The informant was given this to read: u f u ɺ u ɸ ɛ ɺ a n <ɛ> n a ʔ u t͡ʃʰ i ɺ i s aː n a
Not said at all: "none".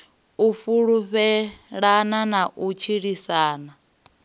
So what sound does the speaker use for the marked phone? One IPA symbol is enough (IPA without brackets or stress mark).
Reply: a